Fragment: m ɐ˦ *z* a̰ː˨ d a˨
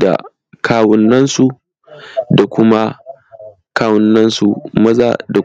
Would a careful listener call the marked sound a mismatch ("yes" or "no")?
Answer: no